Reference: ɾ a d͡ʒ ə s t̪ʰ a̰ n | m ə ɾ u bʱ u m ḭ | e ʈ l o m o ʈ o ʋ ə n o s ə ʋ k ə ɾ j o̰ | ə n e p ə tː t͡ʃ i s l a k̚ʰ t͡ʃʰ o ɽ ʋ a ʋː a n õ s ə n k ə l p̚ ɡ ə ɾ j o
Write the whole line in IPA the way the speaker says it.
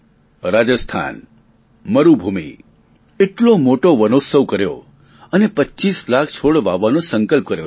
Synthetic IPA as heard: ɾ a d͡ʒ ə s t̪ʰ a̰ n | m ə ɾ u bʱ u m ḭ | e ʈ l o m o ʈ o ʋ ə n o s ə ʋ k ə ɾ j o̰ | ə n e p ə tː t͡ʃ i s l a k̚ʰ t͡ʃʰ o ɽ ʋ a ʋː a n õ s ə ŋ k ə l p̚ k ə ɾ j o